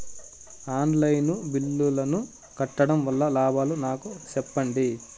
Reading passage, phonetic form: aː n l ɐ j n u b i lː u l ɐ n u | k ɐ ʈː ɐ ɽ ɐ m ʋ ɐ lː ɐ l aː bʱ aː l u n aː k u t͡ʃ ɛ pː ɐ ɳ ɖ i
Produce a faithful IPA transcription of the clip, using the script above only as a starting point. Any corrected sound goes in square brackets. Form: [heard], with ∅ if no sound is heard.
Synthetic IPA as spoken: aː n l ɐ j n u b i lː u l ɐ n u | k ɐ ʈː ɐ ɽ ɐ m ʋ ɐ lː ɐ l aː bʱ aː l u n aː k u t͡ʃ ɛ pː ɐ ɳ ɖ i